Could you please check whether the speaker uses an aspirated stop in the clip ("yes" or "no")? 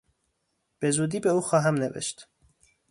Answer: no